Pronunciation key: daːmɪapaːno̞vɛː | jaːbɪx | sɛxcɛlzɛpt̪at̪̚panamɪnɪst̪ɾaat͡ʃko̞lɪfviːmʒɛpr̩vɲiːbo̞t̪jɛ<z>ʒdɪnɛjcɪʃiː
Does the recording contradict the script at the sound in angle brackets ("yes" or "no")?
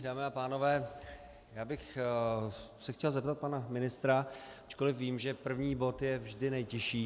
yes